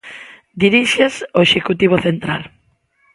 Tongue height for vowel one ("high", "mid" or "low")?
high